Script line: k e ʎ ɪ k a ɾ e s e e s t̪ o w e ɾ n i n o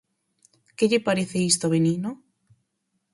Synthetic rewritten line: k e ʎ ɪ p a ɾ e θ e i s t̪ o β e n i n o